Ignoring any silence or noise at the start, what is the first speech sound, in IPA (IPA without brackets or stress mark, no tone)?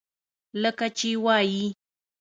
l